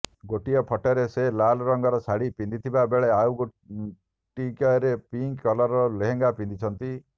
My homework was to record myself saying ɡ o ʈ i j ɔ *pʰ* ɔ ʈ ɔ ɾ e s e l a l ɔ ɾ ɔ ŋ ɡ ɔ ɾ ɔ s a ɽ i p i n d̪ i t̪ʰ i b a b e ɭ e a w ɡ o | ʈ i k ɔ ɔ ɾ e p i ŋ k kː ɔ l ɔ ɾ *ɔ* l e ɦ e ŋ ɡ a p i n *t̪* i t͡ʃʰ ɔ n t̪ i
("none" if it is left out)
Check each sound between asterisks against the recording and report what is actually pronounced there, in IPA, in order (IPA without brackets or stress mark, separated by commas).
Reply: pʰ, ɔ, d̪